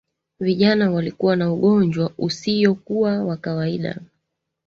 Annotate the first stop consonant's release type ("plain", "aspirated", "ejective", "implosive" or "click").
implosive